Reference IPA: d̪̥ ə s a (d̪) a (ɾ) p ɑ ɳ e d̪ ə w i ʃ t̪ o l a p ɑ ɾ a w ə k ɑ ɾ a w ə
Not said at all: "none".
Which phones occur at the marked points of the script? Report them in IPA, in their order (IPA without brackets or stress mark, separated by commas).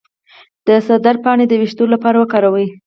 d̪, ɾ